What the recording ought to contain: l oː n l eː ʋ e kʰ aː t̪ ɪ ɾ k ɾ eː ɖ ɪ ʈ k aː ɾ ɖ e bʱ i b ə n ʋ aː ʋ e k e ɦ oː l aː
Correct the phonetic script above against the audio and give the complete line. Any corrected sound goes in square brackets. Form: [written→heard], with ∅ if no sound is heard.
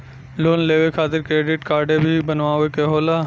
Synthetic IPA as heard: l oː n l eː ʋ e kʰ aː t̪ ɪ ɾ k ɾ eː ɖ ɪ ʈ k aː ɾ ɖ e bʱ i b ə n ʋ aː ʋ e k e ɦ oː l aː